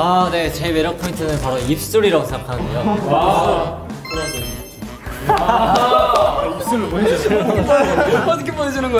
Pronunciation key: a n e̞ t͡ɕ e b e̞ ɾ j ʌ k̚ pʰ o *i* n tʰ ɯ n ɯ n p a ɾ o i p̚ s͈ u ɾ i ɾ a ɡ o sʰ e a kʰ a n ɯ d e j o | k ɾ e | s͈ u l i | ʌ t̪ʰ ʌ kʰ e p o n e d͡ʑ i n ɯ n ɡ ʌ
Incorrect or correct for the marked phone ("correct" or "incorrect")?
correct